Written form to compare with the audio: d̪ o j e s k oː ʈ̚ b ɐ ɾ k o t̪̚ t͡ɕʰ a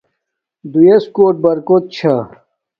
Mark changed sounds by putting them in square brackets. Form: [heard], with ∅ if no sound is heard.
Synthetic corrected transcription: d̪ [u] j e s k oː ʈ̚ b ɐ ɾ k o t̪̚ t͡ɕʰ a